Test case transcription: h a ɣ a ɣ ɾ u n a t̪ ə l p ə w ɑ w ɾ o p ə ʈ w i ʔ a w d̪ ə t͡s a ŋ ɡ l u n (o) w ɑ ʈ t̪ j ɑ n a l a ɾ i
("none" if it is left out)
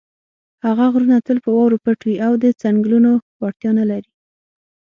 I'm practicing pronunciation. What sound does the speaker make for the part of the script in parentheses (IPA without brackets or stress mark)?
o